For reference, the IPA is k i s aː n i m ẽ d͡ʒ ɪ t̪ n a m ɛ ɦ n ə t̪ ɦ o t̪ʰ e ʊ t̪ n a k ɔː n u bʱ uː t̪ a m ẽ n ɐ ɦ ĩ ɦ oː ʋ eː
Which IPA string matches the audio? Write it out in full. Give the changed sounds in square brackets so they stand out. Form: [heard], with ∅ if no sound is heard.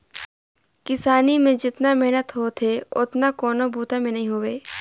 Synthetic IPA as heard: k [ɪ] s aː n i m ẽ d͡ʒ ɪ t̪ n a m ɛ ɦ n ə t̪ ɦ o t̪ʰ e ʊ t̪ n a k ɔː n [o] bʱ uː t̪ a m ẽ n ɐ ɦ ĩ ɦ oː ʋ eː